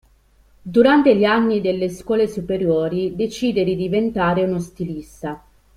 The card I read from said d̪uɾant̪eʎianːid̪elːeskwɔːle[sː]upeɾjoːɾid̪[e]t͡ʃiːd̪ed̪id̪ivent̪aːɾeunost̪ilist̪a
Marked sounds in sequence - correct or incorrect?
incorrect, correct

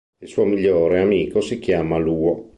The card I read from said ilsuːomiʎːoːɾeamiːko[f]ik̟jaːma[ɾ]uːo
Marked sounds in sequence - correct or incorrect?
incorrect, incorrect

